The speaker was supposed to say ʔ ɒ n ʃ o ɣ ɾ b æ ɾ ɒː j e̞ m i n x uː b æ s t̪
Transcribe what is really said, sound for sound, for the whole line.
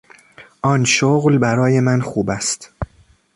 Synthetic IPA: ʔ ɒ n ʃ o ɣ l b æ ɾ ɒː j e̞ m æ n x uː b æ s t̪